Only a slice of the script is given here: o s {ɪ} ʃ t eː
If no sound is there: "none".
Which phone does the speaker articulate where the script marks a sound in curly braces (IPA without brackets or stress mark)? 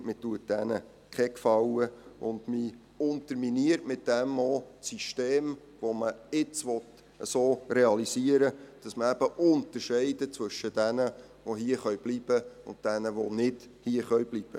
i